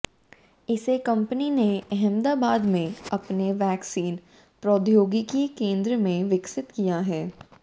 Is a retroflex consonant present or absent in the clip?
absent